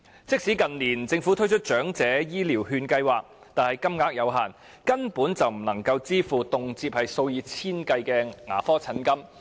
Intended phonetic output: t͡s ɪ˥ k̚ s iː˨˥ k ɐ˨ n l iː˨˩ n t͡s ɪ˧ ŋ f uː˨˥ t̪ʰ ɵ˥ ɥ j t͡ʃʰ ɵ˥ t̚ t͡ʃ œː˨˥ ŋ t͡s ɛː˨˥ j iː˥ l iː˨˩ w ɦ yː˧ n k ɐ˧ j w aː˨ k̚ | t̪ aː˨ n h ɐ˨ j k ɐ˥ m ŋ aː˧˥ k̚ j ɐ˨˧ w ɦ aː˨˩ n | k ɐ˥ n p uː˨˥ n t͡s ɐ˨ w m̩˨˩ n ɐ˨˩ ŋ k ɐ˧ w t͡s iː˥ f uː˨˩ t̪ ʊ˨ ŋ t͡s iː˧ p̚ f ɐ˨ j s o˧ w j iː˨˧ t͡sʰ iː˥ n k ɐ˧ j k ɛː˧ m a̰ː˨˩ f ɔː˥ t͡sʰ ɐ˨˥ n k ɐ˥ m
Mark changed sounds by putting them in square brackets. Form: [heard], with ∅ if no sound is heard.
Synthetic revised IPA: t͡s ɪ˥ k̚ s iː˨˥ k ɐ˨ n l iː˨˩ n t͡s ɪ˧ ŋ f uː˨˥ t̪ʰ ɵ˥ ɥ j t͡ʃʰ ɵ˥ t̚ t͡ʃ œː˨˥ ŋ t͡s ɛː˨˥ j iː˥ l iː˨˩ w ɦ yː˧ n k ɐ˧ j w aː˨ k̚ | t̪ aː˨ n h ɐ˨ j k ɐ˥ m ŋ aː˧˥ k̚ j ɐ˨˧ w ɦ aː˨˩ n | k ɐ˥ n p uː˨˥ n t͡s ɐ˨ w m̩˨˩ n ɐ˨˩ ŋ k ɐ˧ w t͡s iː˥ f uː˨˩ t̪ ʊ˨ ŋ t͡s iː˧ p̚ [h] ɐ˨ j s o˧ w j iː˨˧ t͡sʰ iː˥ n k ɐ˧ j k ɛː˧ [ŋ] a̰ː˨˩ f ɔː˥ t͡sʰ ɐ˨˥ n k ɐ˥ m